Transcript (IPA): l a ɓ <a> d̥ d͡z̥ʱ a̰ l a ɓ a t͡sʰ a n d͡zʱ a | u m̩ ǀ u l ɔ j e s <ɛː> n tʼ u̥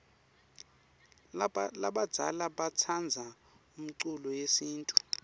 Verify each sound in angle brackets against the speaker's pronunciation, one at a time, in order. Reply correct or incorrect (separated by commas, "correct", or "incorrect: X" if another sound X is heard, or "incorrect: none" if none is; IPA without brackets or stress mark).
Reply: correct, incorrect: iː